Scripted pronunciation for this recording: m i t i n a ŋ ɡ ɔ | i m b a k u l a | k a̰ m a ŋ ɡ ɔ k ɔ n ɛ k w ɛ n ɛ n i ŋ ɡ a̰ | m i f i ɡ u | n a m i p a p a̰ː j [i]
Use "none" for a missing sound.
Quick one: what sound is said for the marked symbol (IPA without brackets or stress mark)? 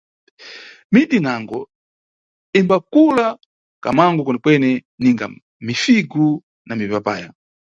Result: a